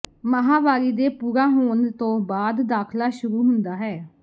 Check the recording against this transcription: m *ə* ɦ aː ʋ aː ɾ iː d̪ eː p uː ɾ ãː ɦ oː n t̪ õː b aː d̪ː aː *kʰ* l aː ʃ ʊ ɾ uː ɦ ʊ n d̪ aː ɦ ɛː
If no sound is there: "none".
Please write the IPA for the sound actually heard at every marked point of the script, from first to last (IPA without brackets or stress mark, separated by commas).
ə, kʰ